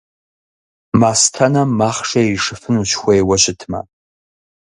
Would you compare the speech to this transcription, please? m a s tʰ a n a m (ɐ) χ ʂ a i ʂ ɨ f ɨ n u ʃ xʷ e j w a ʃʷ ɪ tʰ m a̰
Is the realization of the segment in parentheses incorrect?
yes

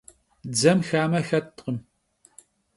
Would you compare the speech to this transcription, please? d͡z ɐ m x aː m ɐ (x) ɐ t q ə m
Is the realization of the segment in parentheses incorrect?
no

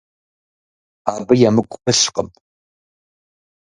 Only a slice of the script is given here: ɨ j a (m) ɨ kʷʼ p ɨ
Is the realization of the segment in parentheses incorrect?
no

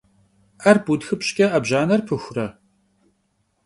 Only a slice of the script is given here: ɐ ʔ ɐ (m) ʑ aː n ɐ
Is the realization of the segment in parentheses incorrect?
yes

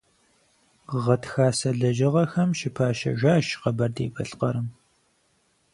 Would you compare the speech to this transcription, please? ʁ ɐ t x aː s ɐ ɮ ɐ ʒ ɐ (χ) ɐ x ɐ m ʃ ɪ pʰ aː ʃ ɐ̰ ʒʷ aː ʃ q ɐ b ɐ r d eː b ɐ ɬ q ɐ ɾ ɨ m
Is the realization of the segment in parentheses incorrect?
yes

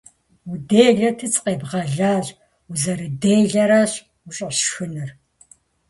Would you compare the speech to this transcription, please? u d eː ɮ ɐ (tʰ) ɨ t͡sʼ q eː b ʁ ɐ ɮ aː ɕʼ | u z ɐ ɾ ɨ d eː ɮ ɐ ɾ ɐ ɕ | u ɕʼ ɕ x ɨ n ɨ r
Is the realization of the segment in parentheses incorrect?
no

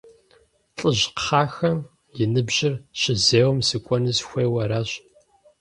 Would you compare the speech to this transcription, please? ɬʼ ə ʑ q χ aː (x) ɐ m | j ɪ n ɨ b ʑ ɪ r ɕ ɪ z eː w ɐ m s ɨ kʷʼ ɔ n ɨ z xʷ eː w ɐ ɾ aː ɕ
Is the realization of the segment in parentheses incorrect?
no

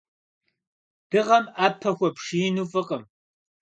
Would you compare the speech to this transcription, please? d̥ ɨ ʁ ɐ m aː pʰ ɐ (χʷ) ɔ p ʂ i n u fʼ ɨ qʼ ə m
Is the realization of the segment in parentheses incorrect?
yes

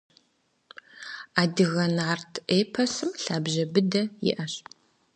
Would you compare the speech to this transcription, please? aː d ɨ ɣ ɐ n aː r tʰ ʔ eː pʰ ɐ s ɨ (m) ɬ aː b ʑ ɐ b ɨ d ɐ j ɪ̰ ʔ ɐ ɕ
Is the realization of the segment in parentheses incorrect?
no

